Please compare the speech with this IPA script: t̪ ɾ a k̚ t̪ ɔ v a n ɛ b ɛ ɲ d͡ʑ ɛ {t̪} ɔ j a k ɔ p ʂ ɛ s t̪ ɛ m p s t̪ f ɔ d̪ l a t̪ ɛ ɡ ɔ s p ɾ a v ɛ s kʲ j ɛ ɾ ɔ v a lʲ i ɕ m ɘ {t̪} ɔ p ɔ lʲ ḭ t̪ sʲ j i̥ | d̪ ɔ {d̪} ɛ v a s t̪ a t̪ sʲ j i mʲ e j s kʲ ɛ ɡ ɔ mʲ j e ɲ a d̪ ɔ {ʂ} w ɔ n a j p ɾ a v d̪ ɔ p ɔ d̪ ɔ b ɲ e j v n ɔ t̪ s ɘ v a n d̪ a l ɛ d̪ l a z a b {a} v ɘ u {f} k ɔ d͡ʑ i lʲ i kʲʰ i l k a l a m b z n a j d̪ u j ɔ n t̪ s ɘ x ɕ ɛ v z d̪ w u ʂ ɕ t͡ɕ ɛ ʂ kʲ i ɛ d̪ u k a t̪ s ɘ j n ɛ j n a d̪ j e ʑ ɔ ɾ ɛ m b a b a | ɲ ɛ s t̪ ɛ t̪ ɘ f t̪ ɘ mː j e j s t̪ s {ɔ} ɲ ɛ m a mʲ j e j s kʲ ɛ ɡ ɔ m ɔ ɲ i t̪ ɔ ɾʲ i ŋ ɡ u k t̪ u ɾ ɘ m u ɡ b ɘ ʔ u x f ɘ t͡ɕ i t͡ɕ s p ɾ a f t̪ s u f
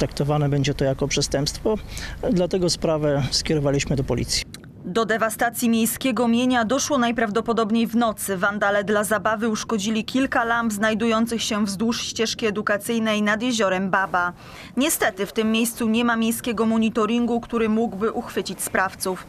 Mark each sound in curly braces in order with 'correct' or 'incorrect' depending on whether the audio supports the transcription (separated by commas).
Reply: correct, incorrect, correct, correct, correct, incorrect, incorrect